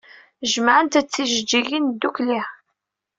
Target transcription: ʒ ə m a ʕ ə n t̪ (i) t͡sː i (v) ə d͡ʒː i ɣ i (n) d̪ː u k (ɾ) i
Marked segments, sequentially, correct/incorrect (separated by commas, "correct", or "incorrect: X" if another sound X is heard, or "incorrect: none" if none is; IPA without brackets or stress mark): incorrect: æ, incorrect: ʒ, correct, incorrect: l